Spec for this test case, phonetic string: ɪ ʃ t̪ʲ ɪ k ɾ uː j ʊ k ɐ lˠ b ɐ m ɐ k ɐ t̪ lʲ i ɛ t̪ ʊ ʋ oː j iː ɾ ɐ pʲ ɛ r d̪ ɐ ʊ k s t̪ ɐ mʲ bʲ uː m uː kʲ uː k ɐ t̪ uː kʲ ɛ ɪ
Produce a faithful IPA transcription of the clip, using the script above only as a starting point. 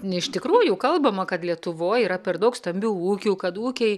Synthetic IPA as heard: ɪ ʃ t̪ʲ ɪ k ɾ uː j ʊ k ɐ lˠ b ɐ m ɐ k ɐ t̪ lʲ i ɛ t̪ ʊ ʋ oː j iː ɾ ɐ pʲ ɛ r d̪ ɐ ʊ k s t̪ ɐ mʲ bʲ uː uː kʲ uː k ɐ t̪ uː kʲ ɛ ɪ